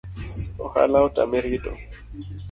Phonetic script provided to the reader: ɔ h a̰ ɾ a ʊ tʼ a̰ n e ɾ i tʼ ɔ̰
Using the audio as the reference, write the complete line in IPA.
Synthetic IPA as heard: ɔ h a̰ l a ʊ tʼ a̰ m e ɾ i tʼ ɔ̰